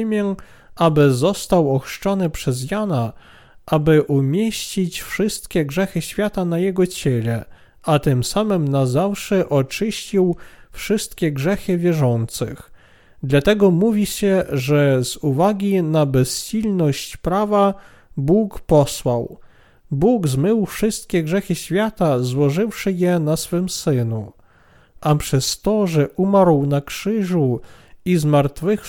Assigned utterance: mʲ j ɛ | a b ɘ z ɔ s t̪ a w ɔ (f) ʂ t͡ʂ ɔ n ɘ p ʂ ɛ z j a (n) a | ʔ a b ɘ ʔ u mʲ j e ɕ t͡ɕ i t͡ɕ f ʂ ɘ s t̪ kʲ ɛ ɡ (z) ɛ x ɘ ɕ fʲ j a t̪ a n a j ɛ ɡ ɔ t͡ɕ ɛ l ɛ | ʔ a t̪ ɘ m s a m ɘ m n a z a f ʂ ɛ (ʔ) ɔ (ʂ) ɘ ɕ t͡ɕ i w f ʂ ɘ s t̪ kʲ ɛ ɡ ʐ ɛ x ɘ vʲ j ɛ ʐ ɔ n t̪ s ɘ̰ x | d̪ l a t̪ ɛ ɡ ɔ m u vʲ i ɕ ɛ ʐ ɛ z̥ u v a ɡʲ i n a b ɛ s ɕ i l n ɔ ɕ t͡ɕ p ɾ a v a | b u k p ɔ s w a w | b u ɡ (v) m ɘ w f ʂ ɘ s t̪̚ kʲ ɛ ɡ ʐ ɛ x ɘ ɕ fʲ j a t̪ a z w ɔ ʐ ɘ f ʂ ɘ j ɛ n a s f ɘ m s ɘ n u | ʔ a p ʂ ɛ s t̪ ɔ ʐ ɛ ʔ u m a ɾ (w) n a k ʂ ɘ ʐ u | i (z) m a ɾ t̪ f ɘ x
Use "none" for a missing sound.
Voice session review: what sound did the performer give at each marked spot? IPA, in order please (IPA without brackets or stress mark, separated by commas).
x, n, ʐ, ʔ, t͡ʂ, z, w, z